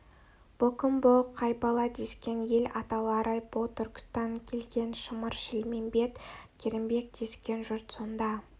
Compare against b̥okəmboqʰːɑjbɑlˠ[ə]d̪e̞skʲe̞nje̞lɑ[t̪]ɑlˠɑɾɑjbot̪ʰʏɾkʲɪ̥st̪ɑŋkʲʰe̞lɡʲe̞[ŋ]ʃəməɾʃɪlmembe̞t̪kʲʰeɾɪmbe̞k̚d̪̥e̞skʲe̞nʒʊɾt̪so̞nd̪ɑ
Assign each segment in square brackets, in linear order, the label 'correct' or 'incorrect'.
incorrect, correct, incorrect

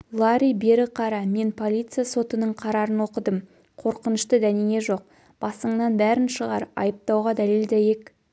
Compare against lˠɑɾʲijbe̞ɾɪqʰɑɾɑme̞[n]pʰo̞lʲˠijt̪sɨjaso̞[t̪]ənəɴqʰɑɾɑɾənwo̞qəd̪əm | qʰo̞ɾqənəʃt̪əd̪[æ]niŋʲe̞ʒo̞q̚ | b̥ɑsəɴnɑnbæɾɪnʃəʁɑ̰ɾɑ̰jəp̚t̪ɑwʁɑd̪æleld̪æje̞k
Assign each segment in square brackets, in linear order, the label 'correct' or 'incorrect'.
correct, correct, correct

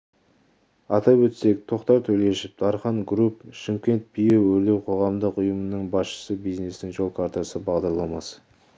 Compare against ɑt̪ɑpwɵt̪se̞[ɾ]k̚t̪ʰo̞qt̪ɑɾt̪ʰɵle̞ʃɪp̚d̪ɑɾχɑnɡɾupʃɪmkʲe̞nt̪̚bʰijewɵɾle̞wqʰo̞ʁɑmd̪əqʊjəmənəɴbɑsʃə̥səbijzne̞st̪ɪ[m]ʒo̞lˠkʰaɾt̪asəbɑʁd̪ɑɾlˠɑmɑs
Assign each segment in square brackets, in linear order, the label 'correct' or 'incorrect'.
incorrect, incorrect

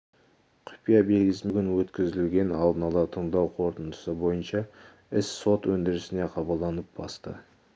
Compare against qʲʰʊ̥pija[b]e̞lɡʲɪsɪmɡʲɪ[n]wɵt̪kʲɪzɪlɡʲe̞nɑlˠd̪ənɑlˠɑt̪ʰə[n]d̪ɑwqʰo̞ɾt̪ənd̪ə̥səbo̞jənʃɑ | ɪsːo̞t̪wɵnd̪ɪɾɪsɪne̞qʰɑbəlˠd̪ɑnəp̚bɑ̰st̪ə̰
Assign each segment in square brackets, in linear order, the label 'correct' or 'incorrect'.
correct, correct, incorrect

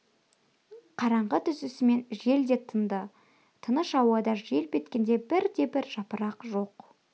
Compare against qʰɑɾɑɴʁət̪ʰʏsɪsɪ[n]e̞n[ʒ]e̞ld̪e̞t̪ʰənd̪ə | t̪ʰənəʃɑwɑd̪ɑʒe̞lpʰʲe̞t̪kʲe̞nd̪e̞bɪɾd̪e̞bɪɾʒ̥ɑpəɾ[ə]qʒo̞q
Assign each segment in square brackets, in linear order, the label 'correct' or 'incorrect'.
incorrect, correct, incorrect

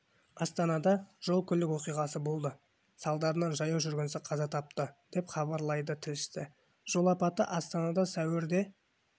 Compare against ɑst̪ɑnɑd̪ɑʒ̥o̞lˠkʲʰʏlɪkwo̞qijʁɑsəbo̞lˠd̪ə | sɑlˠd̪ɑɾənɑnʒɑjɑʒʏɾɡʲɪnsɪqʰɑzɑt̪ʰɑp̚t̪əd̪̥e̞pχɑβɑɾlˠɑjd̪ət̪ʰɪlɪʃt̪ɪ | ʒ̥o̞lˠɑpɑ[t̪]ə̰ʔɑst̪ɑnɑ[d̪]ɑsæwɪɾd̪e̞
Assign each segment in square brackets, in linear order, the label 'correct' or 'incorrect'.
correct, correct

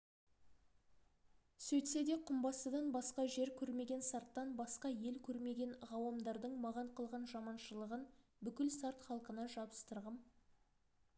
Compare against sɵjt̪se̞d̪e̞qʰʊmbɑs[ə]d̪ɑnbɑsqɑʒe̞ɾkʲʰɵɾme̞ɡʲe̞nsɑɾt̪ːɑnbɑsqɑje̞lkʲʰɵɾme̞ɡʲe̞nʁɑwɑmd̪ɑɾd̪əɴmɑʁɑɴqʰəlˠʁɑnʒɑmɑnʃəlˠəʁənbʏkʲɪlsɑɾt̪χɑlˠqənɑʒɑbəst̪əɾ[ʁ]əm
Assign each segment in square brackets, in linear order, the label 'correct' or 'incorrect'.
correct, correct

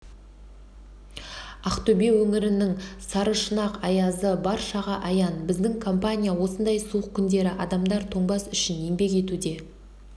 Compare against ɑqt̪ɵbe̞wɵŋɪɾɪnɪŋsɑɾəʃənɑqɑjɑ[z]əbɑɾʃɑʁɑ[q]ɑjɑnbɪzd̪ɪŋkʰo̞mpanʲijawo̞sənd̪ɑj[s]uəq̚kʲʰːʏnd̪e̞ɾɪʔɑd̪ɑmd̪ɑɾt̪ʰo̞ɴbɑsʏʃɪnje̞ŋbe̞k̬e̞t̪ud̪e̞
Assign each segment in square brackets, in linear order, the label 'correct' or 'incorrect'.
correct, incorrect, correct

